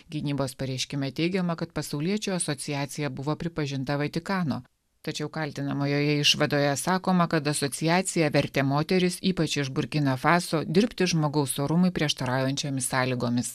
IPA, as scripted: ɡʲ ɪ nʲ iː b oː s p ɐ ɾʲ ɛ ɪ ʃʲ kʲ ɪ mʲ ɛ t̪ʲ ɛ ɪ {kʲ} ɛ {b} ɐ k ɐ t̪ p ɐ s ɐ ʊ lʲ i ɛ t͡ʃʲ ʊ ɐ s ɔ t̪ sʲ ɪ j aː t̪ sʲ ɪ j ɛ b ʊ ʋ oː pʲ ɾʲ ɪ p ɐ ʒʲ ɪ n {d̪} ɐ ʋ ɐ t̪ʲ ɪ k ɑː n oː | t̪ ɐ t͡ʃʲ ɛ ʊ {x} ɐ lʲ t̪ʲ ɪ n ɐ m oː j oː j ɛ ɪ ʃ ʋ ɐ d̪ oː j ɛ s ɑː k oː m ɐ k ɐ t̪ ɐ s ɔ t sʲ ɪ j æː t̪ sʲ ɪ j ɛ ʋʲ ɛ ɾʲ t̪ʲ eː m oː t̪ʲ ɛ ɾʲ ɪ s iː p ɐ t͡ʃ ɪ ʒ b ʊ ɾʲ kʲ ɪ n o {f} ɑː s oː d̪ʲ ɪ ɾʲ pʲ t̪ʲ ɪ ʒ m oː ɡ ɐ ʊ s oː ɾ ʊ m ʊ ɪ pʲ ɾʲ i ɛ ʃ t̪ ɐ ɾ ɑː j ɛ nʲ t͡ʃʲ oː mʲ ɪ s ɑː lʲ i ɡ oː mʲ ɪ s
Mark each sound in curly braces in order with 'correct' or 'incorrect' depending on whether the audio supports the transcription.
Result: incorrect, incorrect, incorrect, incorrect, correct

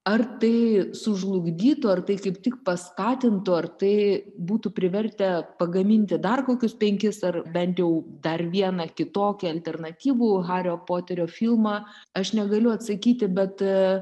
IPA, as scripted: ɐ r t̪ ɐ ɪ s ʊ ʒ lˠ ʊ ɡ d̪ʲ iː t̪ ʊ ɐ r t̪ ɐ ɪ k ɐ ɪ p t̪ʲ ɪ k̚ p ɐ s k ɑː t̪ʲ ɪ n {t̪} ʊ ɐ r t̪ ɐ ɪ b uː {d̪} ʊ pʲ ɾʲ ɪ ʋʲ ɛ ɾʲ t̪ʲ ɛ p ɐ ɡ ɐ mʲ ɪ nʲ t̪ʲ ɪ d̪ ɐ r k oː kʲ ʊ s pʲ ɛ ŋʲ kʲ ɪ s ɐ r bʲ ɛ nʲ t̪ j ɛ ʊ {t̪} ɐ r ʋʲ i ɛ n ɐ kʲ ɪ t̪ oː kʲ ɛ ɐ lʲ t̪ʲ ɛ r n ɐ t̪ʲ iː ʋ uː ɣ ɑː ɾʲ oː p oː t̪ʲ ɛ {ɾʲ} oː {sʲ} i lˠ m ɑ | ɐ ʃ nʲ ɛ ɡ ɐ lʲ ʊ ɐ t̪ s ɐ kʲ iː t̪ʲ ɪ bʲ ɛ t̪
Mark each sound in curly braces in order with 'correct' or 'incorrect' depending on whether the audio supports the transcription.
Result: correct, incorrect, incorrect, correct, incorrect

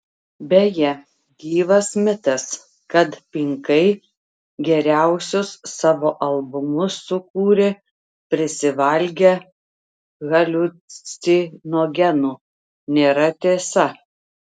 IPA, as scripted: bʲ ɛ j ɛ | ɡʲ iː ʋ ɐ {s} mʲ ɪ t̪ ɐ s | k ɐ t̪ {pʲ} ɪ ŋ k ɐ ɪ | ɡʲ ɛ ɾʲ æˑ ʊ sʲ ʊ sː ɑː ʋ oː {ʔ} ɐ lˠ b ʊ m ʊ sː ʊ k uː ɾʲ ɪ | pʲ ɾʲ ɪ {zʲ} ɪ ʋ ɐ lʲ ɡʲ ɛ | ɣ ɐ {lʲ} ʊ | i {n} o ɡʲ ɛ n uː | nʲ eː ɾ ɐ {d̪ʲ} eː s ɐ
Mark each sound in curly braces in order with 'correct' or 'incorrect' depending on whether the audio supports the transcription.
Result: correct, correct, correct, incorrect, correct, correct, incorrect

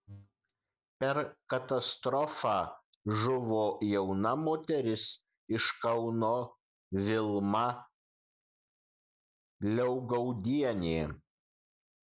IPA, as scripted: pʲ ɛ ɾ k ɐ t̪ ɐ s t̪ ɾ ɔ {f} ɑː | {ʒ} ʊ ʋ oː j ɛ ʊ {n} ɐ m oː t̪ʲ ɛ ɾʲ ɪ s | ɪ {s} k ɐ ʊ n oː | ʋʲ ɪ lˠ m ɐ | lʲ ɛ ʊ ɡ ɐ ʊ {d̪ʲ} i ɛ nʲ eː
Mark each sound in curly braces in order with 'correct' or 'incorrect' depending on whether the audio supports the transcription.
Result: correct, correct, correct, incorrect, correct

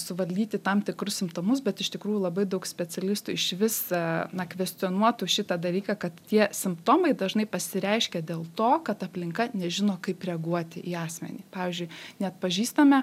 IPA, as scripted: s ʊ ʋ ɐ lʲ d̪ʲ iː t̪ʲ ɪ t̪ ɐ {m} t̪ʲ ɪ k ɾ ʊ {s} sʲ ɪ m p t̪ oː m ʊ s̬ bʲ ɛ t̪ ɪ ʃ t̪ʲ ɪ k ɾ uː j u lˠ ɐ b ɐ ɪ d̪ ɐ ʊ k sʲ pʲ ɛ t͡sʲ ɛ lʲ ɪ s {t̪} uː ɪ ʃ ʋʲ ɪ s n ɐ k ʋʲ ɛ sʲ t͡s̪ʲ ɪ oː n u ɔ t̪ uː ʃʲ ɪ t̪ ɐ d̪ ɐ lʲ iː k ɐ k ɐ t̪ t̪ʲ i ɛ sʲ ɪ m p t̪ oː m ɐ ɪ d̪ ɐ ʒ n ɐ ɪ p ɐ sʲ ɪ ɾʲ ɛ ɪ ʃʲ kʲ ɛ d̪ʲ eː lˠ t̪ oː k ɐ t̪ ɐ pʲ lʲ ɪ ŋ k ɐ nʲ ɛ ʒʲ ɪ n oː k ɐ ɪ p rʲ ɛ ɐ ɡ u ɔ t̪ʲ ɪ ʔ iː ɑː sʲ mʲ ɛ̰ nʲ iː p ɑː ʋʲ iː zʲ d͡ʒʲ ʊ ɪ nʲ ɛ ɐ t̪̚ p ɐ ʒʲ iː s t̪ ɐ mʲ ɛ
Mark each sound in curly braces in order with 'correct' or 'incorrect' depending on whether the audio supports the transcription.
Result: correct, correct, correct

